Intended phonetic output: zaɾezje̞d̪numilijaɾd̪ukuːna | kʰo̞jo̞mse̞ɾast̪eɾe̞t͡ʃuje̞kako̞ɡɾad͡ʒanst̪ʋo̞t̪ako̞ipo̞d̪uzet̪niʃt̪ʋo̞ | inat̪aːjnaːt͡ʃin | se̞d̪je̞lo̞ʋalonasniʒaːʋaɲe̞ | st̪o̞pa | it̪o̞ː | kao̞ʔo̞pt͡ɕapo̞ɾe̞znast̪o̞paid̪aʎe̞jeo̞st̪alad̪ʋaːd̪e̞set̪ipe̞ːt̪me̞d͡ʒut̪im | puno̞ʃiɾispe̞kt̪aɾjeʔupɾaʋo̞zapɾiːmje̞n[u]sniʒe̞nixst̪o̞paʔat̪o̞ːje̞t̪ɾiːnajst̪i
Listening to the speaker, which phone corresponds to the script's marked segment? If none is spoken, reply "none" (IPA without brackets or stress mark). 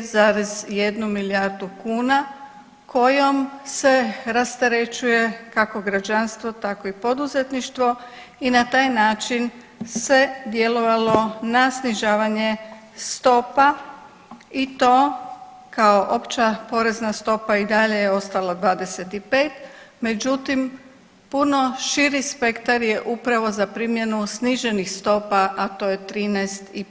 u